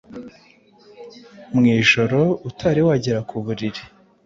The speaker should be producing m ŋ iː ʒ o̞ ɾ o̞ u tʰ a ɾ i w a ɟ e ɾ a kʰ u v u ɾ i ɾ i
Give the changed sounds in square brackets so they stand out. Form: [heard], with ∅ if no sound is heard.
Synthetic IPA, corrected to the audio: m ŋ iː ʒ o̞ ɾ o̞ u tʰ a ɾ i w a ɟ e ɾ a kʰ u [β] u ɾ i ɾ i